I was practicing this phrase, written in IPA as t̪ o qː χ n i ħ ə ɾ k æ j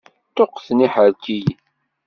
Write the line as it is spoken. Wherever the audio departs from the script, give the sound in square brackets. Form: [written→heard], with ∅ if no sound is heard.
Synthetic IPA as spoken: t̪ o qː [χ→θ] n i ħ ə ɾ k [æ→i] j